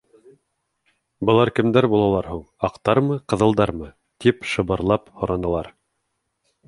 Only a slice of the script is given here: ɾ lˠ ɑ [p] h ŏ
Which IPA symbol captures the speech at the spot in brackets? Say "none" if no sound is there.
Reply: p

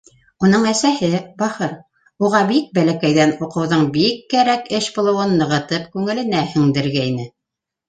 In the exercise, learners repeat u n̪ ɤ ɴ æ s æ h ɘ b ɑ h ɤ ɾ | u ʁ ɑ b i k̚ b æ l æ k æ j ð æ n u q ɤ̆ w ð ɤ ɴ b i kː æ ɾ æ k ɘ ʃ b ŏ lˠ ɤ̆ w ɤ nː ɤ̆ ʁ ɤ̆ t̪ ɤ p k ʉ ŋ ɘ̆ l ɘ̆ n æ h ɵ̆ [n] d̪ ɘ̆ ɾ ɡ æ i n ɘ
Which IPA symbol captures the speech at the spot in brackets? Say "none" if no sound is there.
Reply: ŋ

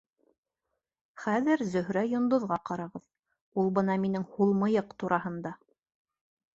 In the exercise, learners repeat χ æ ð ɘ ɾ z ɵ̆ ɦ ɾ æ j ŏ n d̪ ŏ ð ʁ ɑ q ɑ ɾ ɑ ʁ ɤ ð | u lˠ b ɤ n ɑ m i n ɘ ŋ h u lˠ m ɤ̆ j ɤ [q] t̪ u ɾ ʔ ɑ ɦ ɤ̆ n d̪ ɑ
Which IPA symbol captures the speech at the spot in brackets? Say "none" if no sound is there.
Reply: q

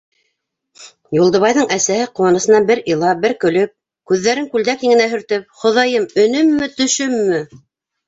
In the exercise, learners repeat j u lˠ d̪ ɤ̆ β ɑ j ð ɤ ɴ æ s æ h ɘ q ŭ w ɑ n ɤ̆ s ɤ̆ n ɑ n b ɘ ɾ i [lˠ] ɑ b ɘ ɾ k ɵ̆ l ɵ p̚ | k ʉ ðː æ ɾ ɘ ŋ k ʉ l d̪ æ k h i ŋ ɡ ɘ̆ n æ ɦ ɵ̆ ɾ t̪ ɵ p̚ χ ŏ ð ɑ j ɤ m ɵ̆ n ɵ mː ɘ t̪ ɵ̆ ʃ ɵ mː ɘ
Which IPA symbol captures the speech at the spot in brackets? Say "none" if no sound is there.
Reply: lˠ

